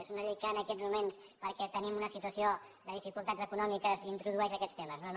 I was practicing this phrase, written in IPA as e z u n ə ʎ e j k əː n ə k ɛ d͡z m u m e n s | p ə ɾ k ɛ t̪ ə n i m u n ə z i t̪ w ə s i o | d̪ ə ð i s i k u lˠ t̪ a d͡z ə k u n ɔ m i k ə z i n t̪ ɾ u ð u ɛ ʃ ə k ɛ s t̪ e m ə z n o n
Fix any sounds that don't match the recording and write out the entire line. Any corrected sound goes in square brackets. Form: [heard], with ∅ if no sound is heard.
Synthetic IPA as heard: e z u n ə ʎ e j k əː n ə k ɛ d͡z m u m e n s | p ə ɾ k ɛ t̪ ə n i m u n ə [s] i t̪ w ə s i o | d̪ ə ð i [f] i k u lˠ t̪ a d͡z ə k u n ɔ m i k ə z i n t̪ ɾ u ð u ɛ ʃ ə k ɛ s t̪ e m ə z n o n